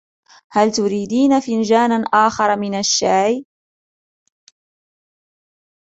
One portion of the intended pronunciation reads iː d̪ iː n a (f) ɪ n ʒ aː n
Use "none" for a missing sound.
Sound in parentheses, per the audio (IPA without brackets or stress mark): f